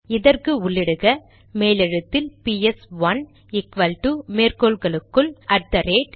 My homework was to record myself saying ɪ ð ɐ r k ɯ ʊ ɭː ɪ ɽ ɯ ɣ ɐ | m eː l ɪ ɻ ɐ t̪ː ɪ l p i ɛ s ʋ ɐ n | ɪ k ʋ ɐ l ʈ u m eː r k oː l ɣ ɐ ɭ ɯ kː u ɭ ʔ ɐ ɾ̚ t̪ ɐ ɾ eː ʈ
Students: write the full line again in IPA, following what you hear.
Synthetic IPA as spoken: ɪ ð ɐ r k ɯ ʊ ɭː ɪ ɽ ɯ ɣ ɐ | m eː l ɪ ɻ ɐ t̪ː ɪ l p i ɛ s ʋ ɐ n | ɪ k ʋ ɐ l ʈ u m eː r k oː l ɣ ɐ ɭ ɯ kː ɯ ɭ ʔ ɐ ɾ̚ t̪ ɐ ɾ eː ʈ